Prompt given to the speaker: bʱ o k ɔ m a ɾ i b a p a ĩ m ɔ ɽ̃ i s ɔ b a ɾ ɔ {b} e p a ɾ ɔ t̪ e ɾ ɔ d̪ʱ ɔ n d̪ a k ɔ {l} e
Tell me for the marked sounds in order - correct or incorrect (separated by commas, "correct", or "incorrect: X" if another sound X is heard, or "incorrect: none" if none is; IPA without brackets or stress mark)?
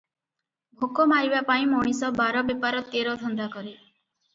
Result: correct, incorrect: ɾ